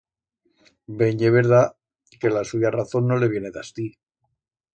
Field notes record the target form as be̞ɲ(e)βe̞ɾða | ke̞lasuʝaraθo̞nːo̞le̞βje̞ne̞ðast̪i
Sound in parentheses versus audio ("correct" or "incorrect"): correct